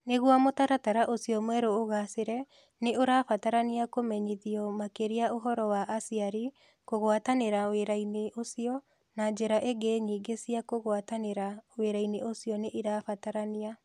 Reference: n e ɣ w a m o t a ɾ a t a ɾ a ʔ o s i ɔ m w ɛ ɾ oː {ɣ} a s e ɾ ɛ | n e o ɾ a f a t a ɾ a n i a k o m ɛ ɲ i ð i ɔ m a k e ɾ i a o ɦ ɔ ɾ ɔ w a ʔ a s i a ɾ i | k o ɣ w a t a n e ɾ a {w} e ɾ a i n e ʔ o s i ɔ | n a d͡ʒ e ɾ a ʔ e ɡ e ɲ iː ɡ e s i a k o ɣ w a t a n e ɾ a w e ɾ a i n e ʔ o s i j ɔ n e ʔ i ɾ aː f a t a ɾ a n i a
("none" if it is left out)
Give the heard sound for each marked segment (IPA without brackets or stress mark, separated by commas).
ɣ, w